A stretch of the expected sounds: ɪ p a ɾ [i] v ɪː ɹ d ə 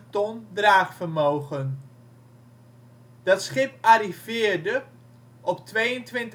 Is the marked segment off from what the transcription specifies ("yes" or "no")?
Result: no